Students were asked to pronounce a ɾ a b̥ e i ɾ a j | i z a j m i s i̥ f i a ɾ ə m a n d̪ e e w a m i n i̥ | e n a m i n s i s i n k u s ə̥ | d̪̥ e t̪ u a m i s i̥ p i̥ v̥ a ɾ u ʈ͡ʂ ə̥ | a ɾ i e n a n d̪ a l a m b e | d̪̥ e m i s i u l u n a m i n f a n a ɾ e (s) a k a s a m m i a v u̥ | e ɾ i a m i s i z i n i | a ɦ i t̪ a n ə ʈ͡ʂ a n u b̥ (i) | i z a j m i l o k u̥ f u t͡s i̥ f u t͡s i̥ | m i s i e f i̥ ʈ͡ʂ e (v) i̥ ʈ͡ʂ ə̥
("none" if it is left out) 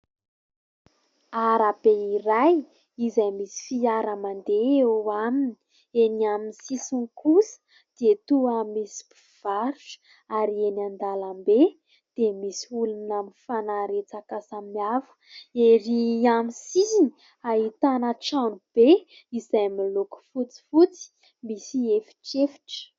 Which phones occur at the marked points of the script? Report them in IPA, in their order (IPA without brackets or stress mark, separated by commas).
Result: t͡s, e, f